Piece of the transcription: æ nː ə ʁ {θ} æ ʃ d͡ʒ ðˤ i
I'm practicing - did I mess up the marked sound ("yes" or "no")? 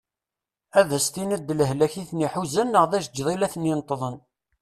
yes